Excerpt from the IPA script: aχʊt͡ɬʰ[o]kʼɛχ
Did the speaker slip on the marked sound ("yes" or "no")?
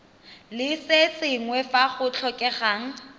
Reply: yes